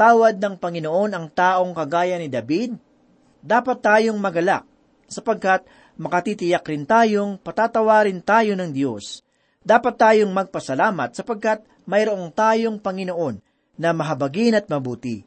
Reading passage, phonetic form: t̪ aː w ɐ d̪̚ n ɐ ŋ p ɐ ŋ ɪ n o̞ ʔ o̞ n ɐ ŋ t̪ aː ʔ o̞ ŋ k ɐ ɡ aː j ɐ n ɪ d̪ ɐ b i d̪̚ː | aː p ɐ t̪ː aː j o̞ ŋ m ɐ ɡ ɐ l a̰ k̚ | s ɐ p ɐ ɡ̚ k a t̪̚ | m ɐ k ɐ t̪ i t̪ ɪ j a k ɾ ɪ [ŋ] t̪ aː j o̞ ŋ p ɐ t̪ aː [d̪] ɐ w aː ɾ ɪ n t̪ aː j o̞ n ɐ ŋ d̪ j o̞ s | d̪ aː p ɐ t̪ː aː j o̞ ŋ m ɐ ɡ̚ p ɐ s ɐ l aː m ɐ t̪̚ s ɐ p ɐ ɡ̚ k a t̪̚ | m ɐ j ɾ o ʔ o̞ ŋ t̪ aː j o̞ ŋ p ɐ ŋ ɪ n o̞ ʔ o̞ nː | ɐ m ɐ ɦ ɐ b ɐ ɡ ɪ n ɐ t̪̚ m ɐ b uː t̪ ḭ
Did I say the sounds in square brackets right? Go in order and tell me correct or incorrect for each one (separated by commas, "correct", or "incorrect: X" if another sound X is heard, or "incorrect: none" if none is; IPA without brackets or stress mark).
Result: incorrect: n, incorrect: t̪